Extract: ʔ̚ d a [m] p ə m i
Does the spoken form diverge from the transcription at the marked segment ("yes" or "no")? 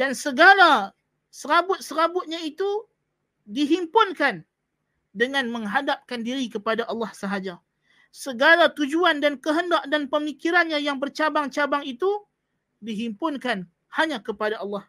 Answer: yes